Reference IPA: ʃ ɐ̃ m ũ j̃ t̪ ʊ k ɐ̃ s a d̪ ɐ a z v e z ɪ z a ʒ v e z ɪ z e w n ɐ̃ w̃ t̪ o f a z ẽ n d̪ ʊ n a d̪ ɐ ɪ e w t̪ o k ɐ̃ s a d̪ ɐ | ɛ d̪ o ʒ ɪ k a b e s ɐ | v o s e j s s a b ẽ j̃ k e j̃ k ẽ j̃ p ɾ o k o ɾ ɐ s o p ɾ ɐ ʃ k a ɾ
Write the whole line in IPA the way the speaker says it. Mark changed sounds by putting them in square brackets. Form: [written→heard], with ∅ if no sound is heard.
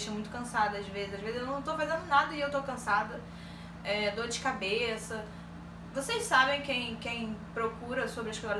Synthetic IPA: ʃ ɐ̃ m ũ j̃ t̪ ʊ k ɐ̃ s a d̪ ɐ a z v e z ɪ z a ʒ v e z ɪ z e w n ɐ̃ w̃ t̪ o f a z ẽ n d̪ ʊ n a d̪ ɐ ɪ e w t̪ o k ɐ̃ s a d̪ ɐ | ɛ d̪ o [ʒ→d͡ʒ] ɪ k a b e s ɐ | v o s e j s s a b ẽ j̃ k [e→ẽ] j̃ k ẽ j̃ p ɾ o k [o→u] ɾ ɐ s o [p→b] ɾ ɐ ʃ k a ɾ